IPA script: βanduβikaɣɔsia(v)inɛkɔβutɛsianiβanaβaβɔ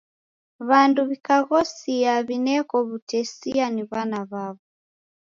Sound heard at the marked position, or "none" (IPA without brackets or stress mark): β